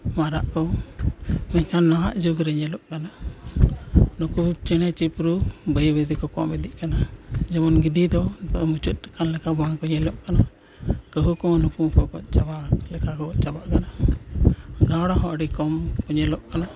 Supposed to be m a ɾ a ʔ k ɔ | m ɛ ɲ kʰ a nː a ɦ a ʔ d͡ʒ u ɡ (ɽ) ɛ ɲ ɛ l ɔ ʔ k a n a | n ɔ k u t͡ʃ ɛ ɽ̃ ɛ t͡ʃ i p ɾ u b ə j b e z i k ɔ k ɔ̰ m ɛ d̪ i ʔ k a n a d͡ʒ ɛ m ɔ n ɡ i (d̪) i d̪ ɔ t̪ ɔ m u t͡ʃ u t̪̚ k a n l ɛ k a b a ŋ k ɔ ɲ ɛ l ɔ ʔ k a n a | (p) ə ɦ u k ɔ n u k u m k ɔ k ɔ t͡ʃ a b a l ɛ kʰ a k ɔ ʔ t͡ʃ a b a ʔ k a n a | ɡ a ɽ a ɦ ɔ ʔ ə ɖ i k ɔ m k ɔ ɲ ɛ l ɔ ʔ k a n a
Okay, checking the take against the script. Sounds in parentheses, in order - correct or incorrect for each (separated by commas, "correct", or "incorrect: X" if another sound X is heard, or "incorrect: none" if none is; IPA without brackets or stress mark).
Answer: incorrect: ɾ, correct, incorrect: k